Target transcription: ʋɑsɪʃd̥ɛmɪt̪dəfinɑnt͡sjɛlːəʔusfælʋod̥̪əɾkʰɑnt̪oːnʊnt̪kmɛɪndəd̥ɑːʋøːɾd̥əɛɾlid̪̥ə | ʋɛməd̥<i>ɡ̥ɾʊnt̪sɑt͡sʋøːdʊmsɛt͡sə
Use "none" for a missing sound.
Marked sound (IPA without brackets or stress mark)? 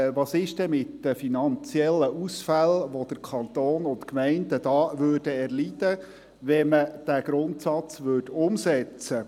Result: æ